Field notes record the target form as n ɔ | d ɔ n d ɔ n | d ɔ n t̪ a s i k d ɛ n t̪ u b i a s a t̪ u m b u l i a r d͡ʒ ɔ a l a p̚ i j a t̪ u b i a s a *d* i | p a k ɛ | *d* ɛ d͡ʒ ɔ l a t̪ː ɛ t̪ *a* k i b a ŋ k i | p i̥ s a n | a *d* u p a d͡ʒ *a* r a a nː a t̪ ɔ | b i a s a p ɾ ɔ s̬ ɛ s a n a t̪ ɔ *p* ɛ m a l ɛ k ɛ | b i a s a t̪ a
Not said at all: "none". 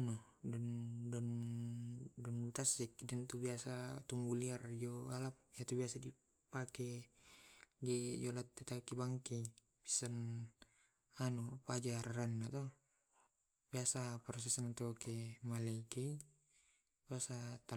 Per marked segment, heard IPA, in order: d, ɡ, a, n, a, k

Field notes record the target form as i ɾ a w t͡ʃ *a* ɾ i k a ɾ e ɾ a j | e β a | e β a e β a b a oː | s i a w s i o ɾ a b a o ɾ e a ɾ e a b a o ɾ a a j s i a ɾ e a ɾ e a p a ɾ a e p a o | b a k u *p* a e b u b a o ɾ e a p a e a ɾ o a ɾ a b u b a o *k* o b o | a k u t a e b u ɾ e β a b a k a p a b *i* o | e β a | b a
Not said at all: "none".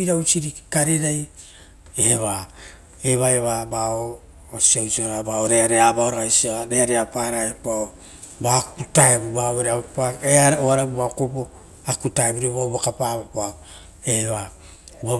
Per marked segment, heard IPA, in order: i, t, k, a

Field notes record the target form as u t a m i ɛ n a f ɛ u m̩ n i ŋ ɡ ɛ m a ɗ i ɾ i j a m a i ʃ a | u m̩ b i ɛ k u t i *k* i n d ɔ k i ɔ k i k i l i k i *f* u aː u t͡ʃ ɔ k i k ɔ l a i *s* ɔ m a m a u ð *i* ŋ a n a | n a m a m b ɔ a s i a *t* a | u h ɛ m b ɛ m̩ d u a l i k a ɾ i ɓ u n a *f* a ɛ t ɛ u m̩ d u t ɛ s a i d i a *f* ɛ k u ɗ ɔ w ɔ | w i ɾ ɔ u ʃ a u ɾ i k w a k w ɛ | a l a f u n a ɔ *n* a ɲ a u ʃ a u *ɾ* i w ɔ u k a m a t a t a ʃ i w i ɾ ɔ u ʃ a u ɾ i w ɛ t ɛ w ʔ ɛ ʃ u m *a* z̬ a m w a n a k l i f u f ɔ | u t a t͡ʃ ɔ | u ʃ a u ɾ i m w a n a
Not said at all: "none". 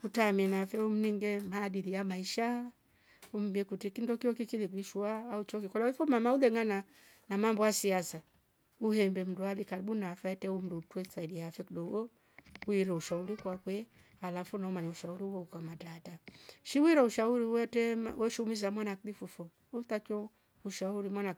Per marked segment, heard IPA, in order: k, ʃ, f, ɛ, s, f, f, m, ɾ, i

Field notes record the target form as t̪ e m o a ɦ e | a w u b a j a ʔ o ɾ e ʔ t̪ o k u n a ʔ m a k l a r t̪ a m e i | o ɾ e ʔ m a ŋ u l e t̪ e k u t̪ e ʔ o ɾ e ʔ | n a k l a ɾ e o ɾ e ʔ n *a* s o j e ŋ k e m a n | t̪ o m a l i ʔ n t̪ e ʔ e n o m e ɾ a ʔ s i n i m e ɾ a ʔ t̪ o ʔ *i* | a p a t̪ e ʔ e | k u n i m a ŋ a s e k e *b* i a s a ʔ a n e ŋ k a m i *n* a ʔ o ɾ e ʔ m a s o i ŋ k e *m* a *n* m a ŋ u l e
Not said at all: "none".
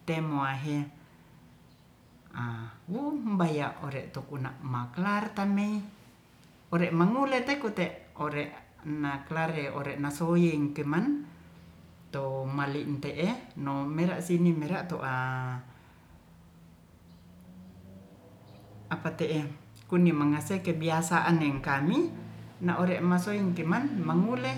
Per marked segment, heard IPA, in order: a, a, b, n, m, n

